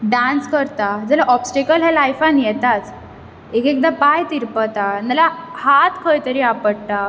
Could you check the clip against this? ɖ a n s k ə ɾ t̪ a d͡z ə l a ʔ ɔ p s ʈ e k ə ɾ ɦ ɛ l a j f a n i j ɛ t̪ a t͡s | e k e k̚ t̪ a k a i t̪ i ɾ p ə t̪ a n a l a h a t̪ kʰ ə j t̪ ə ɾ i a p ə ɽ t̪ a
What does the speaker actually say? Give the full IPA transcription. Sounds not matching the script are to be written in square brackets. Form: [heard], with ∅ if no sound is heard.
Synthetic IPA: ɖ a n s k ə ɾ t̪ a d͡z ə l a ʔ ɔ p s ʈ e k ə [l] ɦ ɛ l a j f a n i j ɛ t̪ a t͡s | e k e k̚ [d̪] a [p] a [j] t̪ i ɾ p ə t̪ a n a l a h a t̪ kʰ ə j t̪ ə ɾ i a p ə ɽ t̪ a